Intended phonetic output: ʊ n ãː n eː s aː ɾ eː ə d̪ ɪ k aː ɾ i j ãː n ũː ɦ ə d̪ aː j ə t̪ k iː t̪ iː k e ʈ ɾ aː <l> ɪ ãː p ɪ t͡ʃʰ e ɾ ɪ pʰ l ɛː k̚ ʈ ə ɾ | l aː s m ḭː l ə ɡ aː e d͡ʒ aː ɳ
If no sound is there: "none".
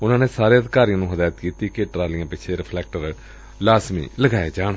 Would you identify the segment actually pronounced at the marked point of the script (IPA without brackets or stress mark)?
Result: l